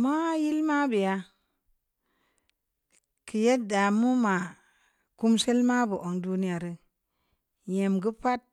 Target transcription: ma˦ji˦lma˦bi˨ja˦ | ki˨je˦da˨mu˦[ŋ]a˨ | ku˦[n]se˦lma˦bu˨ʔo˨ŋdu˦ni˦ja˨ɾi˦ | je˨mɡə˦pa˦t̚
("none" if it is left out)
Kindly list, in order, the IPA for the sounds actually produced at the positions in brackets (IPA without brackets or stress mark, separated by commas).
m, m